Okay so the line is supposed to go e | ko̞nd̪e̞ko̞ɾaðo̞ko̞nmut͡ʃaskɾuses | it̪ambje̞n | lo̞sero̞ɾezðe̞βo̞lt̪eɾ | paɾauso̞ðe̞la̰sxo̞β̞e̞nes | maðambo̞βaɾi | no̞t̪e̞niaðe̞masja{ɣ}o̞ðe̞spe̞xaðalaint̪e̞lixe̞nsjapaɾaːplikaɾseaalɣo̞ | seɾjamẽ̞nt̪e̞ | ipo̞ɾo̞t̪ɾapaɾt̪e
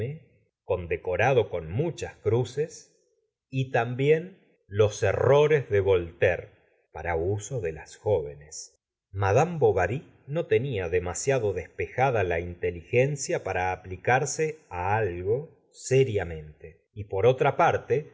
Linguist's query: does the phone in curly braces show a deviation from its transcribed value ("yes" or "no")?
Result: yes